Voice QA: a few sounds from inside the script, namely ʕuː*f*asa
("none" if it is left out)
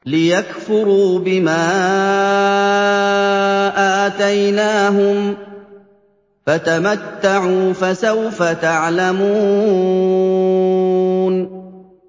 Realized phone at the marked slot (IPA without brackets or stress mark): f